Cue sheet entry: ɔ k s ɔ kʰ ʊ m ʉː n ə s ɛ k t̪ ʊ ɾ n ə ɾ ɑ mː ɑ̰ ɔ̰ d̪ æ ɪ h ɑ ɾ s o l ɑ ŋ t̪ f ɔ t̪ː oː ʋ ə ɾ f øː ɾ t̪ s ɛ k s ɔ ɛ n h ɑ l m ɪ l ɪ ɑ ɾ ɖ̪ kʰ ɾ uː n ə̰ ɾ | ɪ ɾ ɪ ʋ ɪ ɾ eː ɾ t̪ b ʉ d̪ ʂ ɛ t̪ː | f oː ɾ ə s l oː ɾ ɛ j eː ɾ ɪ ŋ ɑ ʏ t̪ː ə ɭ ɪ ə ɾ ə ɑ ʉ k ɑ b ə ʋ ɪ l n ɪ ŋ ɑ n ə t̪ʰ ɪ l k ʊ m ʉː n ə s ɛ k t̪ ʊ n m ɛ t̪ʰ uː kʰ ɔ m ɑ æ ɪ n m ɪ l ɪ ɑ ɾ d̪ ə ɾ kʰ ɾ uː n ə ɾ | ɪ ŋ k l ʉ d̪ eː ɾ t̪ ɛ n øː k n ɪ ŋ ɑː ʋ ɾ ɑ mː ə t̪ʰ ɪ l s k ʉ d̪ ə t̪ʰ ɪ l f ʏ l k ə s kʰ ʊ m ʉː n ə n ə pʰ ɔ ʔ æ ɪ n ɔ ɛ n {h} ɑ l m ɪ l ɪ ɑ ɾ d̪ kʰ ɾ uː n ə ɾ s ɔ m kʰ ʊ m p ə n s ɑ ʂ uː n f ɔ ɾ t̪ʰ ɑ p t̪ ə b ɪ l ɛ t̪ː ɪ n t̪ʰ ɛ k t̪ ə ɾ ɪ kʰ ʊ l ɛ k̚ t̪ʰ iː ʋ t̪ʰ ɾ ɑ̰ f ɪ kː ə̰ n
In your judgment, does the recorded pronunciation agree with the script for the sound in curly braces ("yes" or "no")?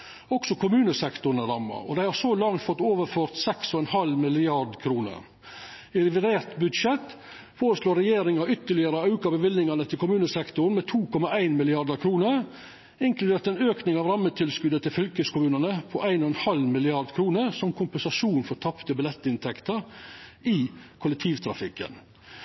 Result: yes